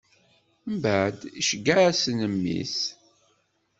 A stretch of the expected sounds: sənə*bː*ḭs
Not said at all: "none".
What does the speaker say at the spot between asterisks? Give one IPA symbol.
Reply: mː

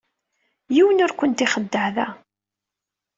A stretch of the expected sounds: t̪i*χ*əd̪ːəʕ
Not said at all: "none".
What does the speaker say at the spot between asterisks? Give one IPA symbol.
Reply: χ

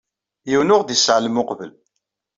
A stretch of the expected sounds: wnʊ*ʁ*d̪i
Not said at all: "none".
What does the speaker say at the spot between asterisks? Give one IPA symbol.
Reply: ʁ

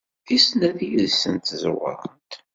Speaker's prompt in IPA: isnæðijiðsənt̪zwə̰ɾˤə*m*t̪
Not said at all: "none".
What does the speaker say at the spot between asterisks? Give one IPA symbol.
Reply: n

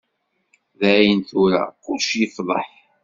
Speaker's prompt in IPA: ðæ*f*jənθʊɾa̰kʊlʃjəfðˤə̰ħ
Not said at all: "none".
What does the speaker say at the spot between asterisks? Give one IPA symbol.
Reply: none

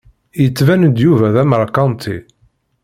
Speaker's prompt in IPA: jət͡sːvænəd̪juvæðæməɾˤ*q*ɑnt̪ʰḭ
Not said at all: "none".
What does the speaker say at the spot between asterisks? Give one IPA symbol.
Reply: k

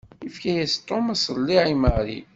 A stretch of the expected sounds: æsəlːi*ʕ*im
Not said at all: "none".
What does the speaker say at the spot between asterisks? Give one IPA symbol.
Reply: ʕ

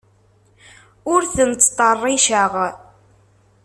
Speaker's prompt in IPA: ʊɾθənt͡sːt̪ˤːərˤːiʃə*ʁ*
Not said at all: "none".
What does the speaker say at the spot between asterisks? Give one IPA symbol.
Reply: ʁ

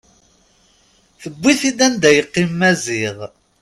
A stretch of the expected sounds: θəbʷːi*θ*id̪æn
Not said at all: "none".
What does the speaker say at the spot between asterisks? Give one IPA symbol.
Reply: θ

